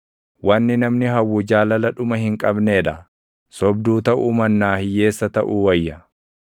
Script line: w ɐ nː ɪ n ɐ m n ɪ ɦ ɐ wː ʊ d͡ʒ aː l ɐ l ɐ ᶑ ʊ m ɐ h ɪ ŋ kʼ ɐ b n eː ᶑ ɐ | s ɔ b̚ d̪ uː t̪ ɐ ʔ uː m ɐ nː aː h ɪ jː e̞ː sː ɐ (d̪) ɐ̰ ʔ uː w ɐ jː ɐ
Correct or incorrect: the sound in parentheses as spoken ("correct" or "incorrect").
incorrect